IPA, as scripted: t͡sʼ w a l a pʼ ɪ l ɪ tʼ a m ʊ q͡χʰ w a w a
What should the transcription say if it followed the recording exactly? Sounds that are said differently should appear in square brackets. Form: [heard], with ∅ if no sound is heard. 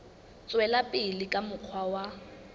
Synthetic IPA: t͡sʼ w [ɛ] l a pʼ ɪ l ɪ [kʼ] a m ʊ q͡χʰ w a w a